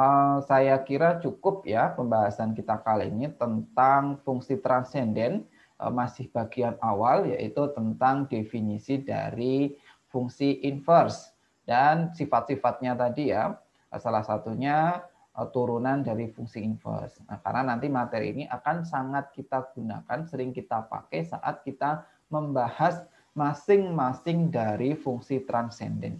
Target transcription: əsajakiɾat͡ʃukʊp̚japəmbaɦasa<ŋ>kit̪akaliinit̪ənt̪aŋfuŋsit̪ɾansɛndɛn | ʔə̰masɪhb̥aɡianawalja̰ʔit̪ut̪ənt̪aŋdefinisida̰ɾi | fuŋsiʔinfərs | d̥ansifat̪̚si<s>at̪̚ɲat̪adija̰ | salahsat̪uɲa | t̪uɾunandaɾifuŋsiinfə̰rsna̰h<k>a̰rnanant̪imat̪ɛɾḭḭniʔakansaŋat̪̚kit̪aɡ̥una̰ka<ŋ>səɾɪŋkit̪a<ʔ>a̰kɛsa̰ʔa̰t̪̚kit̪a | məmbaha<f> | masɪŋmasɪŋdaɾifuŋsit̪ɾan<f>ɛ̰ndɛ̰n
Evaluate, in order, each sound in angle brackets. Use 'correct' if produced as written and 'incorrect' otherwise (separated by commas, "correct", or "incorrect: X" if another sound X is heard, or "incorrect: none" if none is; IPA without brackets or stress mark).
incorrect: n, incorrect: f, correct, incorrect: n, incorrect: p, incorrect: s, incorrect: s